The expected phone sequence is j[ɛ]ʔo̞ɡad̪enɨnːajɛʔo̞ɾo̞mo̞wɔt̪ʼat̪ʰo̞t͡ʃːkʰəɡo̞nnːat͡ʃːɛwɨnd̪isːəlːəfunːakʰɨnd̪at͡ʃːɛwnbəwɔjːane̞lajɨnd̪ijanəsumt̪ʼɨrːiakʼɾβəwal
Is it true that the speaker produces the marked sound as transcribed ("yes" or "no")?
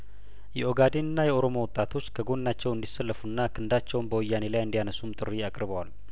yes